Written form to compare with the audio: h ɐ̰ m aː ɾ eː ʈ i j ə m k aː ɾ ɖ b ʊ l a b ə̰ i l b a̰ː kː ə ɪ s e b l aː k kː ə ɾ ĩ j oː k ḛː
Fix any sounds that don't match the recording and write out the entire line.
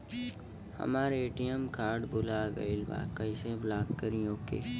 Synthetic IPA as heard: h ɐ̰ m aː ɾ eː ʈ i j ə m k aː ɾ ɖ b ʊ l a ɡ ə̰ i l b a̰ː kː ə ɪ s e b l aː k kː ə ɾ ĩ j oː k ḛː